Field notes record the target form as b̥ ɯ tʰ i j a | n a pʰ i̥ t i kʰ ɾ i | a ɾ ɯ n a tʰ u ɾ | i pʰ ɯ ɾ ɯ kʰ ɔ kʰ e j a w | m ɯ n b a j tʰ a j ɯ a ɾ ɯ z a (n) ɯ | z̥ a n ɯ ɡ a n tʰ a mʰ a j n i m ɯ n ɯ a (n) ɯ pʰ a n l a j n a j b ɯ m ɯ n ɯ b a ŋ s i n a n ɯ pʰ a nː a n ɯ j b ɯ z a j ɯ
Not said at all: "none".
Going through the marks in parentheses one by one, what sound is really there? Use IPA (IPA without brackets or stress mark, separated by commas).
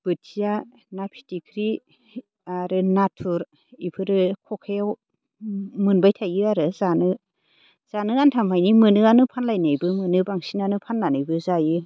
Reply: n, n